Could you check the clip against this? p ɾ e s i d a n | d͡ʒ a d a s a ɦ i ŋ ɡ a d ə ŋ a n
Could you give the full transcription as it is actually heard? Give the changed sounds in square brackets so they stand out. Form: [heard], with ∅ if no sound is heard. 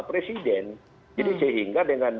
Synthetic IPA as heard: p ɾ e s i d [ɛ] n | d͡ʒ a d [i] s [ə] ɦ i ŋ ɡ a d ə ŋ a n